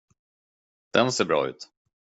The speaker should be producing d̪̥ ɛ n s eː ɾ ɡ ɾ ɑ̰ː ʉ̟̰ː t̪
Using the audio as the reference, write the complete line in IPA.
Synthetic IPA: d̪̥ ɛ n s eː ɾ b ɾ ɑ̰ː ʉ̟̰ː t̪

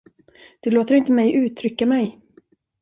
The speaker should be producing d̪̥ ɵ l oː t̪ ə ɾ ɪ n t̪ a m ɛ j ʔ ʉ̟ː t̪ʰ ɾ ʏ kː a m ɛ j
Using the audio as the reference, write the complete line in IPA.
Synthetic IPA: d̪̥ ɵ l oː t̪ ə ɾ ɪ n t̪ ə m ɛ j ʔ ʉ̟ː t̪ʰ ɾ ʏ kː a m ɛ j

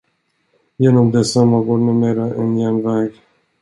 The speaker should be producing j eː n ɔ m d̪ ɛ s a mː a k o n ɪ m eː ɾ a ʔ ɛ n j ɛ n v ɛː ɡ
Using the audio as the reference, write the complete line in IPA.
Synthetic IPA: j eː n ɔ m d̪ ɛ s a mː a ɡ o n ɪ m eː ɾ a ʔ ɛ n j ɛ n v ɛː ɡ

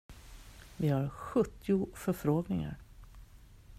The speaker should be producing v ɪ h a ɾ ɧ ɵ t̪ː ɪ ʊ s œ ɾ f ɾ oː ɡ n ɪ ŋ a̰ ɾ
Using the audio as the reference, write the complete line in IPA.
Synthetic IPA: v ɪ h a ɾ ɧ ɵ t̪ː ɪ ʊ f œ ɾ f ɾ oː ɡ n ɪ ŋ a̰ ɾ

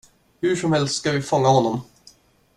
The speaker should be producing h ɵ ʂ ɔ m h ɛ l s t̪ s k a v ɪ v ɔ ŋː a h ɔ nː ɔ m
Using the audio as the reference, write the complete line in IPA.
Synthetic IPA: h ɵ ʂ ɔ m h ɛ l s t̪ s k a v ɪ f ɔ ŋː a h ɔ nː ɔ m

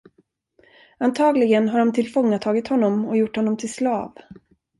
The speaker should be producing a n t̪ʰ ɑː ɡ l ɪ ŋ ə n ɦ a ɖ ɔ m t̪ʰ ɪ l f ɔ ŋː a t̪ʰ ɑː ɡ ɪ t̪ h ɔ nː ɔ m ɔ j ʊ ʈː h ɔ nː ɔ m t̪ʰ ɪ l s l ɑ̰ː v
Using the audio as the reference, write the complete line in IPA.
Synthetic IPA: a n t̪ʰ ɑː ɡ l ɪ ɡ ə n ɦ a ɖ ɔ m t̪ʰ ɪ l f ɔ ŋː a t̪ʰ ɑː ɡ ɪ t̪ h ɔ nː ɔ m ɔ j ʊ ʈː h ɔ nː ɔ m t̪ʰ ɪ l s l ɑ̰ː v

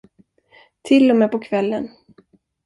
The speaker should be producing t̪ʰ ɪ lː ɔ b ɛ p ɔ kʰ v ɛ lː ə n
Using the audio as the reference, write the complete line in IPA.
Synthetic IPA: t̪ʰ ɪ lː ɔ m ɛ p ɔ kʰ v ɛ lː ə n

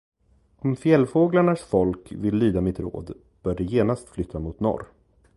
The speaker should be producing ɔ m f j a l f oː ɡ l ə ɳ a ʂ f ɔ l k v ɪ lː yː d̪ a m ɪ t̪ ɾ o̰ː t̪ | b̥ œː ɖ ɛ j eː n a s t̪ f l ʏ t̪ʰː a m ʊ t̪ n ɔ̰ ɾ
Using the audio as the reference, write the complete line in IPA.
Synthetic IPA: ɔ m f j ɛ l f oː ɡ l a ɳ a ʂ f ɔ l k v ɪ lː yː d̪ a m ɪ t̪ ɾ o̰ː d̪ | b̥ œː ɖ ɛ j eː n a s t̪ f l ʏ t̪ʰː a m ʊ t̪ n ɔ̰ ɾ

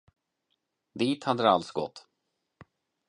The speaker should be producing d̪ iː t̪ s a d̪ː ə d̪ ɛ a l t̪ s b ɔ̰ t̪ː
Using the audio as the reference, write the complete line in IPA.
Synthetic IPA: d̪ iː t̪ h a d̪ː ə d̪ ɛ a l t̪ s ɡ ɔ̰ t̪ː

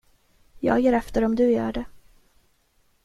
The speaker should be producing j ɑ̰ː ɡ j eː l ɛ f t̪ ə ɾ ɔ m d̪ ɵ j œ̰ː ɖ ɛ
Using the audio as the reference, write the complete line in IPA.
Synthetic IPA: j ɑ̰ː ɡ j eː ɾ ɛ f t̪ ə ɾ ɔ m d̪ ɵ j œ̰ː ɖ ɛ

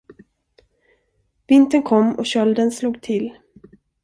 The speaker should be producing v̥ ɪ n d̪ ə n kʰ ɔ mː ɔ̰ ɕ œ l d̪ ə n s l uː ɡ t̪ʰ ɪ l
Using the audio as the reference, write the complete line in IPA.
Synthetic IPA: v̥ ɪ n t̪ ə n kʰ ɔ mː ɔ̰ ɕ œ l d̪ ə n s l uː ɡ t̪ʰ ɪ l

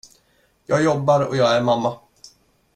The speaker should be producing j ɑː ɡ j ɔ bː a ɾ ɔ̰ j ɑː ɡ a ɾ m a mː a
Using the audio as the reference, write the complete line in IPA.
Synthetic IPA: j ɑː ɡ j ɔ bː a ɾ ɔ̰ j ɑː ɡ æ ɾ m a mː a

